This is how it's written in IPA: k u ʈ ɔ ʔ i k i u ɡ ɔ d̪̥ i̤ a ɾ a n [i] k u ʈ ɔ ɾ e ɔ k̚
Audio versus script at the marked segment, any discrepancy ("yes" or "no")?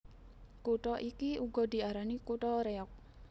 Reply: no